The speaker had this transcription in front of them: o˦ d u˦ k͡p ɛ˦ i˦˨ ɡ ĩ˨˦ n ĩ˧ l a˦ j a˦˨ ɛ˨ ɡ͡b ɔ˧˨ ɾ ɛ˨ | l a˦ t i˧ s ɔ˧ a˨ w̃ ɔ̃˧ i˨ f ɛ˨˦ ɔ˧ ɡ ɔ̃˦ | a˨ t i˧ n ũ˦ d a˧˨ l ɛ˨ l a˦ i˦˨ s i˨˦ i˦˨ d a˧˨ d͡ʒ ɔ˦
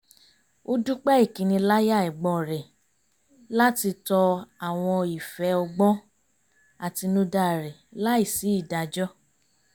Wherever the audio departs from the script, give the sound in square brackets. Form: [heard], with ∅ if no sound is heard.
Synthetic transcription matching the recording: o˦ d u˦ k͡p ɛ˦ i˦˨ [k] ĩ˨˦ n ĩ˧ l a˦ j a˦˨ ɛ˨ ɡ͡b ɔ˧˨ ɾ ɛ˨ | l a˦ t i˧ [t] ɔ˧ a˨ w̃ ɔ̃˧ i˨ f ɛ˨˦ ɔ˧ [ɡ͡b] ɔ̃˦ | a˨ t i˧ n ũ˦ d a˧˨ [ɾ] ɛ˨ l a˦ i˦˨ s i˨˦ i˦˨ d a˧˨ d͡ʒ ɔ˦